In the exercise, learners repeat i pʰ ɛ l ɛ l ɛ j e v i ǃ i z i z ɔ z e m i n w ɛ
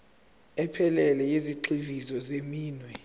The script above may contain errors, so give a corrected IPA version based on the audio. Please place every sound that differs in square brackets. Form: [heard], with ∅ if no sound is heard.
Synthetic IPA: [ɛ] pʰ ɛ l ɛ l ɛ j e [z] i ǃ i [v] i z ɔ z e m [iː] n w ɛ